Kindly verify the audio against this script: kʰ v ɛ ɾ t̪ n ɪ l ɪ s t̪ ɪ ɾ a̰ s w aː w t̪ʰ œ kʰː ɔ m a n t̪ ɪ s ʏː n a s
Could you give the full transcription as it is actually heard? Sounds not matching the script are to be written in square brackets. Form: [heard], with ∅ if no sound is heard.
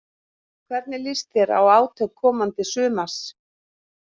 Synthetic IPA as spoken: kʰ v ɛ ɾ t̪ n ɪ l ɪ s t̪ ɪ ɾ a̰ [∅] w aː w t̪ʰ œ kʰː [ɔː] m a n t̪ ɪ s ʏː [m] a s